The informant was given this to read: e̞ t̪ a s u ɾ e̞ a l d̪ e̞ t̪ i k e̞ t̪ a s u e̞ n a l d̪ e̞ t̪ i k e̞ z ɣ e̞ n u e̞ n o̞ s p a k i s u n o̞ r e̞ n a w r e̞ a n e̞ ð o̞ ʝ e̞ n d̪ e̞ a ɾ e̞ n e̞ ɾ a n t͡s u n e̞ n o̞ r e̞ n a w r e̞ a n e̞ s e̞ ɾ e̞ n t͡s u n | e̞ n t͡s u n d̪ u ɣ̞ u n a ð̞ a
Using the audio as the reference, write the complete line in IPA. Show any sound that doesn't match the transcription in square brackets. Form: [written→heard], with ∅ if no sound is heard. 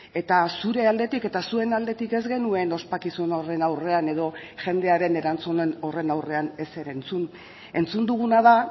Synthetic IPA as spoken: e̞ t̪ a s u ɾ e̞ a l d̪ e̞ t̪ i k e̞ t̪ a s u e̞ n a l d̪ e̞ t̪ i k e̞ z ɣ e̞ n u e̞ n o̞ s p a k i s u n o̞ r e̞ n a w r e̞ a n e̞ ð o̞ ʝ e̞ n d̪ e̞ a ɾ e̞ n e̞ ɾ a n t͡s u n e̞ n o̞ r e̞ n a w r e̞ a n e̞ s e̞ ɾ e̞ n t͡s u n | e̞ n t͡s u n d̪ u ɣ̞ u n a ð̞ a